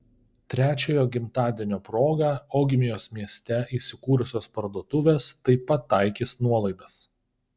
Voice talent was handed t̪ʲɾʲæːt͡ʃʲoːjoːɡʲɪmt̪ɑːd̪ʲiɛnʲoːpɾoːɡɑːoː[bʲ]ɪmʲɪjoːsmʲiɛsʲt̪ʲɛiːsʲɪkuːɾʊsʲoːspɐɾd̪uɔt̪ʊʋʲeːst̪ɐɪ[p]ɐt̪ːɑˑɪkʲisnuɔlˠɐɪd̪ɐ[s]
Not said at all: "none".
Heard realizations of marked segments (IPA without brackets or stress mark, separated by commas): ɡʲ, p, s